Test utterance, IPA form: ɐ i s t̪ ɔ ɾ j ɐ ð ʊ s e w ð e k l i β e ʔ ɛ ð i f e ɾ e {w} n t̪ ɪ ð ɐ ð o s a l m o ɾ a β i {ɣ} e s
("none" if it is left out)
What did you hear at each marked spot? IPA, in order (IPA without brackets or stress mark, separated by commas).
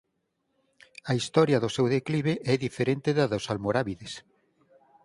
none, ð